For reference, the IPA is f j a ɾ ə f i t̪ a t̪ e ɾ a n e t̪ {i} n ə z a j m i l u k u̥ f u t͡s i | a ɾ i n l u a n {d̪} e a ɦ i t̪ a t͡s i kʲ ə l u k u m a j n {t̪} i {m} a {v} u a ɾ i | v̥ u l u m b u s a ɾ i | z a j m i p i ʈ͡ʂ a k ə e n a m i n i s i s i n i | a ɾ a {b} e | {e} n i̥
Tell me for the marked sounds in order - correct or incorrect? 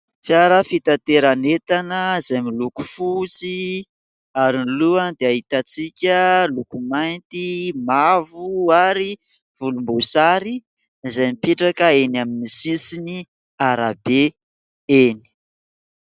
incorrect, correct, correct, correct, correct, correct, correct

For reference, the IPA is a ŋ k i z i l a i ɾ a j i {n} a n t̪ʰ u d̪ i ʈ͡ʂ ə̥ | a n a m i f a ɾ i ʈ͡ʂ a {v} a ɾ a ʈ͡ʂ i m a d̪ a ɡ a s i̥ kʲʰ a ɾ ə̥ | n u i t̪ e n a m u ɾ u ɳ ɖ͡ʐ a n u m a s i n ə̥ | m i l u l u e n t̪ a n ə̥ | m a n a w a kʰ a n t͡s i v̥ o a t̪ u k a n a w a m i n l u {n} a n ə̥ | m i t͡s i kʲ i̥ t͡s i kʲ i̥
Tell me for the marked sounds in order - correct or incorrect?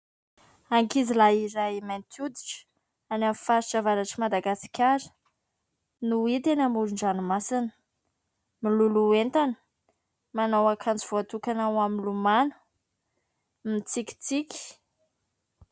incorrect, correct, incorrect

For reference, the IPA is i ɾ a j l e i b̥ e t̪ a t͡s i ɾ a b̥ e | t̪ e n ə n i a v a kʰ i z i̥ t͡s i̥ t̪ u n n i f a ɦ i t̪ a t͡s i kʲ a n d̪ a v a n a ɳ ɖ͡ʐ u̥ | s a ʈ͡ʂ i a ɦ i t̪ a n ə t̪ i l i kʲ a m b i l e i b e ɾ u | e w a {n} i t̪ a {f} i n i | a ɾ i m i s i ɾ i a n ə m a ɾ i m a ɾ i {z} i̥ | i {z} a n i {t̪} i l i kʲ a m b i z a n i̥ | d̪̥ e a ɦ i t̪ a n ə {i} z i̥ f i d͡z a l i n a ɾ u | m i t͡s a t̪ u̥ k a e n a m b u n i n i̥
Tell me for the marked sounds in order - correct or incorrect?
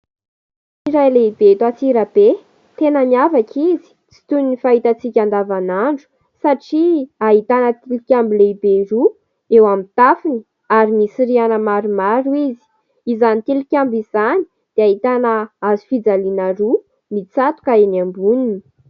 incorrect, correct, correct, correct, correct, incorrect

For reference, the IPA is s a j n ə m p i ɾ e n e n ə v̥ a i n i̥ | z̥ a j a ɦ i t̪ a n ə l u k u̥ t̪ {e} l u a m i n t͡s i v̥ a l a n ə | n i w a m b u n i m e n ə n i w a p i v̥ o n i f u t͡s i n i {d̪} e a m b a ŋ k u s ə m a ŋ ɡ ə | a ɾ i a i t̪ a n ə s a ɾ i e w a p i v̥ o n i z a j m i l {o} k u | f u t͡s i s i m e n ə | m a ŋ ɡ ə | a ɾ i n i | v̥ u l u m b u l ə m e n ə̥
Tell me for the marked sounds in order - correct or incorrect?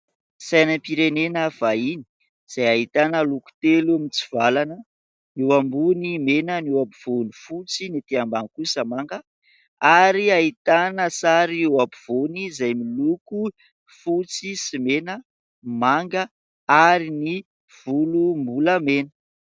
correct, incorrect, incorrect

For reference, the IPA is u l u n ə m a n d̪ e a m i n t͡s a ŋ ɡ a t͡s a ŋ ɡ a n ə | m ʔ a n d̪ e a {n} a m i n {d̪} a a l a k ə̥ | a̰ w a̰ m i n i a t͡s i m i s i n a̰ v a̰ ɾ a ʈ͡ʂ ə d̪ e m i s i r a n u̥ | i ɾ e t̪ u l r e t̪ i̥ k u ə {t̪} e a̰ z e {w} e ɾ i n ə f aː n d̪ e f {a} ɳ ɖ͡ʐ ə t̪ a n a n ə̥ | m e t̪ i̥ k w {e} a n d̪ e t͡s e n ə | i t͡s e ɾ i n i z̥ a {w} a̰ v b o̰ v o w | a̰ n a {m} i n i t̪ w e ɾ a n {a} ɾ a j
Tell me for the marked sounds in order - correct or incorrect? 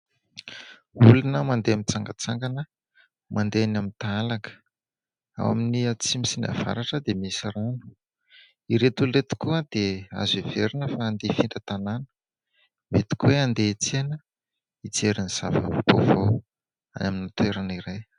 correct, incorrect, incorrect, incorrect, incorrect, correct, incorrect, correct, incorrect

